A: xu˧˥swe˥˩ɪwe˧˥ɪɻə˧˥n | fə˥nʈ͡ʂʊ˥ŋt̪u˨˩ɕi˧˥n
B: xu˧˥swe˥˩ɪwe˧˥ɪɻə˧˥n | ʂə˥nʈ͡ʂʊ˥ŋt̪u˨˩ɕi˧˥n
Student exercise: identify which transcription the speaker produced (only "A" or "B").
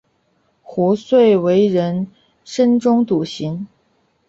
B